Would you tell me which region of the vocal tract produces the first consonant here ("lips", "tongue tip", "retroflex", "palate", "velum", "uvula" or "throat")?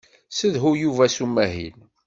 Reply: tongue tip